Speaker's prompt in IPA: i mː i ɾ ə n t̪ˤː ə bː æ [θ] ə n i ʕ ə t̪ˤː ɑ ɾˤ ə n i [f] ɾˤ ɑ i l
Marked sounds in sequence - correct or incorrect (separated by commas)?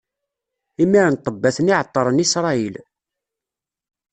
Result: correct, incorrect